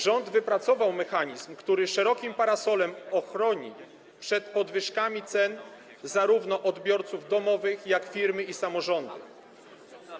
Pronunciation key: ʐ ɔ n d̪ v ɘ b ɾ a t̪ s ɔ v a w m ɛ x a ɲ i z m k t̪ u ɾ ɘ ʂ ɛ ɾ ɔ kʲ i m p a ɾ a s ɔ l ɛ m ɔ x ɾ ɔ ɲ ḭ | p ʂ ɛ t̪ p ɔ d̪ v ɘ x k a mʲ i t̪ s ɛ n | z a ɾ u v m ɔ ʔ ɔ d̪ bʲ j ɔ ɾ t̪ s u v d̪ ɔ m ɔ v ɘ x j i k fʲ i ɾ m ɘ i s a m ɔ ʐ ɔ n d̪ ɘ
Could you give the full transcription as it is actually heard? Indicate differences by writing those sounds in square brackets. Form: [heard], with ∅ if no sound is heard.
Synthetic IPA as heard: ʐ ɔ n d̪ v ɘ [p] ɾ a t̪ s ɔ v a w m ɛ x a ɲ i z m k t̪ u ɾ ɘ ʂ ɛ ɾ ɔ kʲ i m p a ɾ a s ɔ l ɛ m ɔ x ɾ ɔ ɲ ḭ | p ʂ ɛ t̪ p ɔ d̪ v ɘ [ʂ] k a mʲ i t̪ s ɛ n | z a ɾ u v [n] ɔ ʔ ɔ d̪ bʲ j ɔ ɾ t̪ s u v d̪ ɔ m ɔ v ɘ x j [a] k fʲ i ɾ m ɘ i s a m ɔ ʐ ɔ n d̪ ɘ